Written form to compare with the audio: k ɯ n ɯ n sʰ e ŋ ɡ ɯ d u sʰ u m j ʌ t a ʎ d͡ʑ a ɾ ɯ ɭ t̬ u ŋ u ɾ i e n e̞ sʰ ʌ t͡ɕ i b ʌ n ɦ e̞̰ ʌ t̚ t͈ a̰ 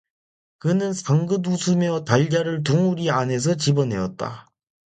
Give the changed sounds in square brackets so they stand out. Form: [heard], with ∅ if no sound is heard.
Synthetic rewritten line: k ɯ n ɯ n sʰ [a] ŋ ɡ ɯ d u sʰ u m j ʌ t a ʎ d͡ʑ a ɾ ɯ ɭ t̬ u ŋ u ɾ i [a] n e̞ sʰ ʌ t͡ɕ i b ʌ n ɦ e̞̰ ʌ t̚ t͈ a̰